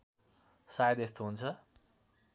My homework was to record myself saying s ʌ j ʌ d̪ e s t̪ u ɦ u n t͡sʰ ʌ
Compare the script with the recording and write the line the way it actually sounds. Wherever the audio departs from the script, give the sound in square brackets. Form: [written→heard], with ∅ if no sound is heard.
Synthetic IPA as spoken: s [ʌ→a] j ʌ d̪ e s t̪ [u→o] ɦ u n t͡sʰ ʌ